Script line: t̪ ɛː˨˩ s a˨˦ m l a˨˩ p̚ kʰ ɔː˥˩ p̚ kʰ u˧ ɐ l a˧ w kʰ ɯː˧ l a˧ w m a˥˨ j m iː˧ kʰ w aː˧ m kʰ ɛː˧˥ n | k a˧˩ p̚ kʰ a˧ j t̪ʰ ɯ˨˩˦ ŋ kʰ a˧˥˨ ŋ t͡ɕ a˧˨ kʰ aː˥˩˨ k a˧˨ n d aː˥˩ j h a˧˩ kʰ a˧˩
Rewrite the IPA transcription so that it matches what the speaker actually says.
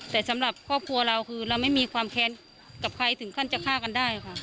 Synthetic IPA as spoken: t̪ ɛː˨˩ s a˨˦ m l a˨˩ p̚ kʰ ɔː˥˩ p̚ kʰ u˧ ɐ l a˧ w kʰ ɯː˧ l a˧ w m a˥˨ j m iː˧ kʰ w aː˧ m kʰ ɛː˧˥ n | k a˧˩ p̚ kʰ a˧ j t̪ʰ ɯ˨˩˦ ŋ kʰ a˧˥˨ n t͡ɕ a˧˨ kʰ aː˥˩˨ k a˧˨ n d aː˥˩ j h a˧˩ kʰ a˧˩